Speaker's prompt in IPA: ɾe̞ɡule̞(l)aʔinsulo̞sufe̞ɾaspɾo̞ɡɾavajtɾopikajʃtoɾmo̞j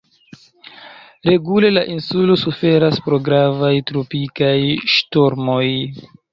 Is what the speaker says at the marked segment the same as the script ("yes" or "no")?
yes